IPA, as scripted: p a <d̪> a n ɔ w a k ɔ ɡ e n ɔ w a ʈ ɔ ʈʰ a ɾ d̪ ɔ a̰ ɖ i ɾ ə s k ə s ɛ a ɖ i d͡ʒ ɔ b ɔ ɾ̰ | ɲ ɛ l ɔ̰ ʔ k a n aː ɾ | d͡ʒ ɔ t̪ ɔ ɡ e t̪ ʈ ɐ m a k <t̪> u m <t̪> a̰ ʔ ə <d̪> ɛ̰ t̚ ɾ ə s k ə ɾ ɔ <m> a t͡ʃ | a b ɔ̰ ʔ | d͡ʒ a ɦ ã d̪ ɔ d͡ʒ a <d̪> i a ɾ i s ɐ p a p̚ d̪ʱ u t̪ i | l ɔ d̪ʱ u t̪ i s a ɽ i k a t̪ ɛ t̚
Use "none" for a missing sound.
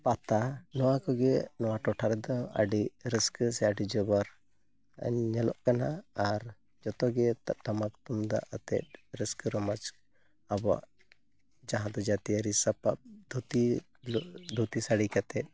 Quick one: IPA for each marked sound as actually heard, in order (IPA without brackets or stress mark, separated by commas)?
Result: t̪, t̪, d̪, t̪, m, t̪